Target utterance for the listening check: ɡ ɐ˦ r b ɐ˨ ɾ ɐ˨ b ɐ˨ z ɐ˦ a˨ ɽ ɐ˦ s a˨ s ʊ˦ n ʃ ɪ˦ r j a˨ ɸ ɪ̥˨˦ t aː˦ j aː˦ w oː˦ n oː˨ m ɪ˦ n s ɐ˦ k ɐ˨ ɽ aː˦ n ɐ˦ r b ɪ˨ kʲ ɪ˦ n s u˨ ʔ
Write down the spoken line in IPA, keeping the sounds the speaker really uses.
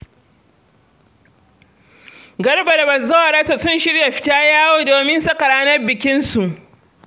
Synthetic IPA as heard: ɡ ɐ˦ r b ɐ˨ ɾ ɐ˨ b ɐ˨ z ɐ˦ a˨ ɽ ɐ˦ s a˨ s ʊ˦ n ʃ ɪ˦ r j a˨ ɸ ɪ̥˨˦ t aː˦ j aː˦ w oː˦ d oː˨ m ɪ˦ n s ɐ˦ k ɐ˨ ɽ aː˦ n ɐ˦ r b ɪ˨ kʲ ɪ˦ n s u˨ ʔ